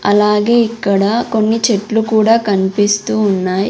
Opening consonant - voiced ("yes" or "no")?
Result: yes